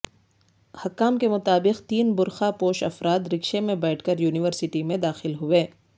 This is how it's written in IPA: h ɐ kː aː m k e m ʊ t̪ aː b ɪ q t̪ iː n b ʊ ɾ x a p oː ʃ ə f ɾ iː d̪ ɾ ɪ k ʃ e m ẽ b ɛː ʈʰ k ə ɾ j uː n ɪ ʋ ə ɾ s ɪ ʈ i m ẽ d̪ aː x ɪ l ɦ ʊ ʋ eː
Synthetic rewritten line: h ɐ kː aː m k e m ʊ t̪ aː b ɪ q t̪ iː n b ʊ ɾ x a p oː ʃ ɐ f ɾ aː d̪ ɾ ɪ k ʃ e m ẽ b ɛː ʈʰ k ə ɾ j uː n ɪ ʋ ə ɾ s ɪ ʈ i m ẽ d̪ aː x ɪ l ɦ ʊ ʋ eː

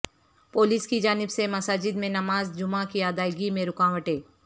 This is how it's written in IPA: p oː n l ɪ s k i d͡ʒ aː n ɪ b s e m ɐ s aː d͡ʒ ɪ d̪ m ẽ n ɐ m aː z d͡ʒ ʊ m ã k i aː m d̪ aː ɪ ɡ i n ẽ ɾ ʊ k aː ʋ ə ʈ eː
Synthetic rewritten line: p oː l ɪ s k i d͡ʒ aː n ɪ b s e m ɐ s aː d͡ʒ ɪ d̪ m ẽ n ɐ m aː z d͡ʒ ʊ m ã k i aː d̪ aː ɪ ɡ i m ẽ ɾ ʊ k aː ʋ ə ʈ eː

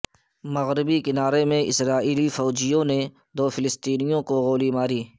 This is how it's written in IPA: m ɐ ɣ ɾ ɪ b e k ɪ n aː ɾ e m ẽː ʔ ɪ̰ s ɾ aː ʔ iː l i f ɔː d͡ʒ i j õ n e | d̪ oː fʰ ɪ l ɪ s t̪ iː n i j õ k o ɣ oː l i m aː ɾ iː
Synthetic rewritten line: m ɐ ɣ ɾ ɪ b i k ɪ n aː ɾ e m ẽ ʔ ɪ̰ s ɾ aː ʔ iː l i f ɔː d͡ʒ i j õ n e | d̪ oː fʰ ɪ l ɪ s t̪ iː n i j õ k o ɣ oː l i m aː ɾ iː

